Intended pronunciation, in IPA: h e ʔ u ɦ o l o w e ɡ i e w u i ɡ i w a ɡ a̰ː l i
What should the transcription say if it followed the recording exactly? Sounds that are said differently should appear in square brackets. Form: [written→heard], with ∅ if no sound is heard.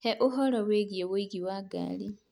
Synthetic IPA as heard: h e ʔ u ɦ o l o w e ɡ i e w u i ɡ i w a ɡ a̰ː l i